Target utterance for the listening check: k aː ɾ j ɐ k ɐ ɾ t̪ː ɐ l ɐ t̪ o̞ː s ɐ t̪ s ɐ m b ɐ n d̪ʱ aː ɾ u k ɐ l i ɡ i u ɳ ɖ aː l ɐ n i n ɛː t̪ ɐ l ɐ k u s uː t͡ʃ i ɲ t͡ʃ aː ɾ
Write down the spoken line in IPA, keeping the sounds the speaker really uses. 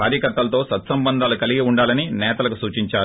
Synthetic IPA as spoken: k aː ɾ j ɐ k ɐ ɾ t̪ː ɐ l ɐ t̪ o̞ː s ɐ t̪ s ɐ m b ɐ n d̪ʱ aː l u k ɐ l i ɡ i u ɳ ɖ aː l ɐ n i n ɛː t̪ ɐ l ɐ k u s uː t͡ʃ i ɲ t͡ʃ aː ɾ